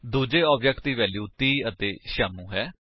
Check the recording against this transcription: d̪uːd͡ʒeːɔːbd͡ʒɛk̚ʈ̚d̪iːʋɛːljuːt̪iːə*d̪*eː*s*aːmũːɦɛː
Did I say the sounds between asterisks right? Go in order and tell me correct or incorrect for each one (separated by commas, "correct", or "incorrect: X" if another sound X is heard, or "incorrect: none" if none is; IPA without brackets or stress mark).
incorrect: t̪, incorrect: ʃ